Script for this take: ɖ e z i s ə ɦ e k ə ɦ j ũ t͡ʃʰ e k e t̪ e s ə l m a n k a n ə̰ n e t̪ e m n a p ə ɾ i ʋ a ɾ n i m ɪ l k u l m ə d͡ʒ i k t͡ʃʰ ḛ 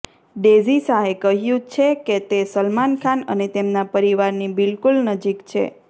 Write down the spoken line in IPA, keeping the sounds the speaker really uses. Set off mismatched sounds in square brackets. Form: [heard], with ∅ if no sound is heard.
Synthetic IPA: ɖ e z i s [a] ɦ e k ə ɦ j ũ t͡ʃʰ e k e t̪ e s ə l m a n [kʰ] a n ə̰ n e t̪ e m n a p ə ɾ i ʋ a ɾ n i [b] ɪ l k u l [n] ə d͡ʒ i k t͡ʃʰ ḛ